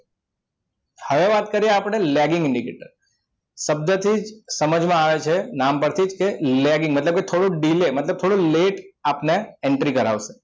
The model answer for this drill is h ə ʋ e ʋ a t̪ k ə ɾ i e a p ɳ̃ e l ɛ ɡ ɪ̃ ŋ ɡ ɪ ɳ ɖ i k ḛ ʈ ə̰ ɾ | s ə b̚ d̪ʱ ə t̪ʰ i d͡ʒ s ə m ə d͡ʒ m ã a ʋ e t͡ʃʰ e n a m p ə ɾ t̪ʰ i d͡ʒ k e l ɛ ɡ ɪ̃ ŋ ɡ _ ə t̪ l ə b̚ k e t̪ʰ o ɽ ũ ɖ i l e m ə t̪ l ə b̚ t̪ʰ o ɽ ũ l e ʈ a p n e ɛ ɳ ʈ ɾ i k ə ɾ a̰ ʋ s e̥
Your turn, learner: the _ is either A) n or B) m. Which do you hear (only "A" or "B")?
B